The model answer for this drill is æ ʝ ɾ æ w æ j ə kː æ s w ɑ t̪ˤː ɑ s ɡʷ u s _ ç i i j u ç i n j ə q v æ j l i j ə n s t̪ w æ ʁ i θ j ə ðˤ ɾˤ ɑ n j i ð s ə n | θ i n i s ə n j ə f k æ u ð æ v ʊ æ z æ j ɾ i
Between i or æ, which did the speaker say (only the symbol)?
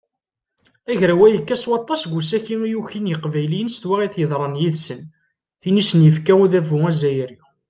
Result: æ